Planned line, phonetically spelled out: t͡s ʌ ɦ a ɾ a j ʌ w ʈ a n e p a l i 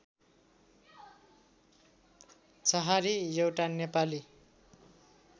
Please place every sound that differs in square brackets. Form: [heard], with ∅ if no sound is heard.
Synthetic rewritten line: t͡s ʌ ɦ a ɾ [i] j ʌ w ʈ a n e p a l i